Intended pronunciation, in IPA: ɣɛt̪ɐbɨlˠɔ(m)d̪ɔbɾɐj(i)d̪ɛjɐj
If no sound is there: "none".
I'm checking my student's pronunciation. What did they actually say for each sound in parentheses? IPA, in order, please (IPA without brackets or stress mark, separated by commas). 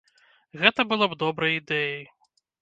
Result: b, i